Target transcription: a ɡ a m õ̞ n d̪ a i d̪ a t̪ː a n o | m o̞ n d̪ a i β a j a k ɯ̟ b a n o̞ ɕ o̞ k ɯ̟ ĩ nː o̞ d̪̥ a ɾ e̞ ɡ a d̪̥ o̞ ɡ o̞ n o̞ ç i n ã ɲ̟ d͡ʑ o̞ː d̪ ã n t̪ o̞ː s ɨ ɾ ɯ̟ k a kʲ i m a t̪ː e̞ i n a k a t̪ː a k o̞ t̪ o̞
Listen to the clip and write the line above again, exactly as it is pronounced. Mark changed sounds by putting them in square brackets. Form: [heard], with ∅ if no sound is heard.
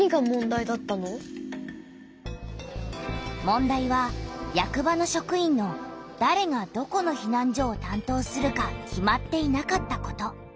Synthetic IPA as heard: [i] ɡ a m õ̞ n d̪ a i d̪ a t̪ː a n o | m [õ̞] n d̪ a i β a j a k ɯ̟ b a n o̞ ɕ o̞ k ɯ̟ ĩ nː o̞ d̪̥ a ɾ e̞ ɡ a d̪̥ o̞ [k] o̞ n o̞ ç i n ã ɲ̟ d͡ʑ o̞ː [t̪] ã n t̪ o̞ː s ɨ ɾ ɯ̟ k a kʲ i m a t̪ː e̞ i n a k a t̪ː a k o̞ t̪ o̞